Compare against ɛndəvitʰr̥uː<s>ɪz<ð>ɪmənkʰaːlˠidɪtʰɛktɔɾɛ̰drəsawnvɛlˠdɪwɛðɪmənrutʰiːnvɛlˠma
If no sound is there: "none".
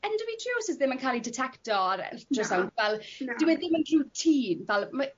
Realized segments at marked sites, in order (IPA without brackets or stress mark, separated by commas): s, ð